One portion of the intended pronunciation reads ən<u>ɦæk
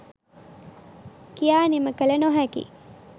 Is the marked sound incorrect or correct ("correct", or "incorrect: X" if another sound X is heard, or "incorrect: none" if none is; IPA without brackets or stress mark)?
incorrect: o